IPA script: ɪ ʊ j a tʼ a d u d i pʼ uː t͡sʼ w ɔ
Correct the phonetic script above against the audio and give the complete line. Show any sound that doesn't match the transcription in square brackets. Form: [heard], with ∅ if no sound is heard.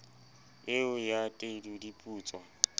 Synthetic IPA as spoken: ɪ ʊ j a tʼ [e] d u d i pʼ uː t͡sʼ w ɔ